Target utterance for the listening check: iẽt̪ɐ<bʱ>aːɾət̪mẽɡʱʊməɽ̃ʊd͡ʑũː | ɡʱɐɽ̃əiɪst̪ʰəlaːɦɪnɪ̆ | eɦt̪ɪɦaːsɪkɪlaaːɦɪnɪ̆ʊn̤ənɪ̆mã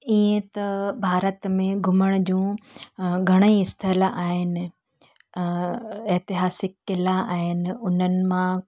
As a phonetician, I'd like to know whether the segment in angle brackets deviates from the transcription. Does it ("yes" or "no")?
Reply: no